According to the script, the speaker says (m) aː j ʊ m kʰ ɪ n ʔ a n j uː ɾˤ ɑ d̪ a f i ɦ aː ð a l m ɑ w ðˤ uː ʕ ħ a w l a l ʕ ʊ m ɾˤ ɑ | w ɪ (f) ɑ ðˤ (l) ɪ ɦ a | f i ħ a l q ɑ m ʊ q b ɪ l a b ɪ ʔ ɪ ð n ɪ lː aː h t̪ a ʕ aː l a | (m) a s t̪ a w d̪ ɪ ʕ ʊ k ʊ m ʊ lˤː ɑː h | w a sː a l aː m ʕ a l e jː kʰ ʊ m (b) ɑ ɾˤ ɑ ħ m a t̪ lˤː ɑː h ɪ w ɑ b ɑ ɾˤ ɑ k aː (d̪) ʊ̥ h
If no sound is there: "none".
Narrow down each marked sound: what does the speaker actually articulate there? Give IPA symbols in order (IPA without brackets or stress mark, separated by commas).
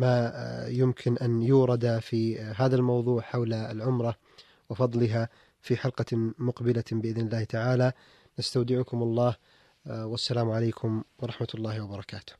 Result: m, f, l, n, w, t̪